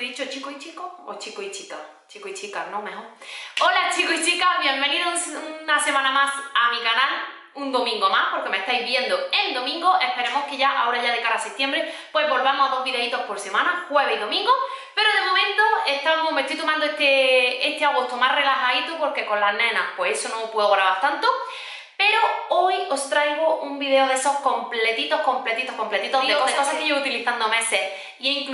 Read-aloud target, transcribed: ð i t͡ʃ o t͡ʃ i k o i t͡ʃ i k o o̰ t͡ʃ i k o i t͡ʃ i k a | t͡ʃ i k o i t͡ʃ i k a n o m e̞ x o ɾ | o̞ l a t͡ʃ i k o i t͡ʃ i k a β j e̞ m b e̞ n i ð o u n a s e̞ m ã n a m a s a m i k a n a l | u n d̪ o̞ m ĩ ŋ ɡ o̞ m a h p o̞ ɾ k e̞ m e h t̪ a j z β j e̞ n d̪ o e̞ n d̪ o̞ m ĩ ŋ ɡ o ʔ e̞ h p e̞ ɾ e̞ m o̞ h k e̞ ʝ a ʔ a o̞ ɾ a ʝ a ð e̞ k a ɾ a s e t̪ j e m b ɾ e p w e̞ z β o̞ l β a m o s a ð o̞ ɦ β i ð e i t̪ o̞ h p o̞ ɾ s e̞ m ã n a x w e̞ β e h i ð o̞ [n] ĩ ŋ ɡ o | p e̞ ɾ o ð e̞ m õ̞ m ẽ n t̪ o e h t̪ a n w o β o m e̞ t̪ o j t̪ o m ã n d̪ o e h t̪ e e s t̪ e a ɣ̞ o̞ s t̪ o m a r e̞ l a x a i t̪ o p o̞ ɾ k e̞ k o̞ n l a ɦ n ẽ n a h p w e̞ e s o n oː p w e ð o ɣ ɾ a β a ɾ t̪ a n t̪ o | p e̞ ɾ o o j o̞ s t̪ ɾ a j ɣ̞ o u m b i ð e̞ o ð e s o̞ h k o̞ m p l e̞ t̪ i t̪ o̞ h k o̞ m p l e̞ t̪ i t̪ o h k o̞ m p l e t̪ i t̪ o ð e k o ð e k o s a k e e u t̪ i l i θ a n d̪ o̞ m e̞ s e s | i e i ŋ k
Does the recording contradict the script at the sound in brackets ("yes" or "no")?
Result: yes